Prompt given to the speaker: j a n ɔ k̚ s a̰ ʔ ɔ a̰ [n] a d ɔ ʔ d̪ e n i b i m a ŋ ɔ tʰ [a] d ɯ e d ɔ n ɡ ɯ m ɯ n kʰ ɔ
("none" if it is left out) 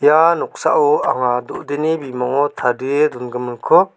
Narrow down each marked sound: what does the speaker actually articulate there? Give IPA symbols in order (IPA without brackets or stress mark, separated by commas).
ŋ, a